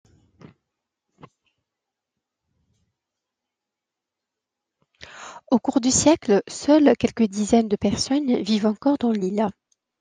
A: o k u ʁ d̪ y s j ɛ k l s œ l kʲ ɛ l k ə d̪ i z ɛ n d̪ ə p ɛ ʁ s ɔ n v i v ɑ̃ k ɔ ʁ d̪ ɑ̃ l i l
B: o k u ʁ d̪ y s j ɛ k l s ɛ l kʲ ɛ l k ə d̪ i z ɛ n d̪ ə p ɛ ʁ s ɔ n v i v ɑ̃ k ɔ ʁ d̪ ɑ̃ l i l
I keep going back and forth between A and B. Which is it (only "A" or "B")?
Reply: A